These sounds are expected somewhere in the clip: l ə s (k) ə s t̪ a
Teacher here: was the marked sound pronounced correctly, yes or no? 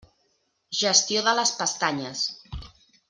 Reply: no